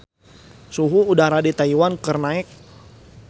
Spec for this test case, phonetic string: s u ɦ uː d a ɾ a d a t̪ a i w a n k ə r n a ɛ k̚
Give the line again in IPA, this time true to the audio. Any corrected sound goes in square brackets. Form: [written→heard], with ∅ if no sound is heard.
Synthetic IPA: s u ɦ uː d a ɾ a d [a→i] t̪ a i w a n k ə r n a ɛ k̚